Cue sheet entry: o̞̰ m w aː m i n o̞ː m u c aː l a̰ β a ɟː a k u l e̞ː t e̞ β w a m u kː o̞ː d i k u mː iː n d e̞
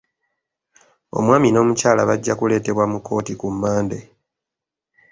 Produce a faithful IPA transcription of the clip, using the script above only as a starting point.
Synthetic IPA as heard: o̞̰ m w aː m i n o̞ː m u c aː l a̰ β a ɟː a k u l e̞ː t e̞ β w a m u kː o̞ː t i k u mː aː n d e̞

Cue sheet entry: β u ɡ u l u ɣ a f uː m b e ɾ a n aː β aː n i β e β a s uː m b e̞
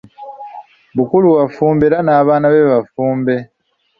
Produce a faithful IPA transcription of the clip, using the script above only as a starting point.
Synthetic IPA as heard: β u k u l u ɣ a f uː m b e ɾ a n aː β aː n a β e β a f uː m b e̞

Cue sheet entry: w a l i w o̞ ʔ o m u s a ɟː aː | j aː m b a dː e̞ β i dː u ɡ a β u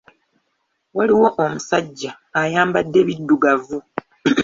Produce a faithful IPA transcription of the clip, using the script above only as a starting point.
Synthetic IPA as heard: w a l i w o̞ ʔ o m u s a ɟː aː | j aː m b a dː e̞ β i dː u ɡ a v u

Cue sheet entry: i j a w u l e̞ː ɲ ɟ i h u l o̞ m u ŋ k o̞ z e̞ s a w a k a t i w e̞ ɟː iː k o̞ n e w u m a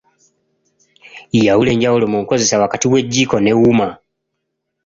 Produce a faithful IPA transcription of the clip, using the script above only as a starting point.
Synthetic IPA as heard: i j a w u l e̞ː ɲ ɟ a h u l o̞ m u ŋ k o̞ z e̞ s a w a k a t i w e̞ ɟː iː k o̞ n e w u m a

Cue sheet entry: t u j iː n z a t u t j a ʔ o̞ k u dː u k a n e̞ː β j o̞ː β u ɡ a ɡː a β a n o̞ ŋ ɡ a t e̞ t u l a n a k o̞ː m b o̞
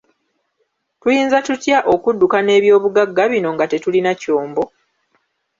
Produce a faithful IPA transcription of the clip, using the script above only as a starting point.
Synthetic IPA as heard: t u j iː n z a t u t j a ʔ o̞ k u dː u k a n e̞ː β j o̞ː β u ɡ a ɡː a β i n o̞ ŋ ɡ a t e̞ t u l i n a c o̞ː m b o̞

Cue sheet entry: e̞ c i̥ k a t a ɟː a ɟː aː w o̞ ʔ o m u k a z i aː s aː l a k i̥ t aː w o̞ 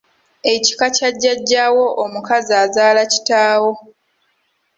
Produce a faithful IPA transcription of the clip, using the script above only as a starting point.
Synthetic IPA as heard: e̞ c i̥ k a c a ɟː a ɟː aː w o̞ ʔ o m u k a z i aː z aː l a c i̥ t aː w o̞

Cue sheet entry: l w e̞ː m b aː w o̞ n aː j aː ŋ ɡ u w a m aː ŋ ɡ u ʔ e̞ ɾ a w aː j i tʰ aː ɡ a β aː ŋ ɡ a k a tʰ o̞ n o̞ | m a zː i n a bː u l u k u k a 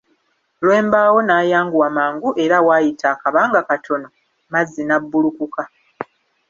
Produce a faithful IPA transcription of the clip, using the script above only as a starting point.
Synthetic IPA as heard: l w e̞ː m b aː w o̞ n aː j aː ŋ ɡ u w a m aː ŋ ɡ u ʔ e̞ ɾ a w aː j i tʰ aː k a β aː ŋ ɡ a k a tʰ o̞ n o̞ | m a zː i n a bː u l u k u k a

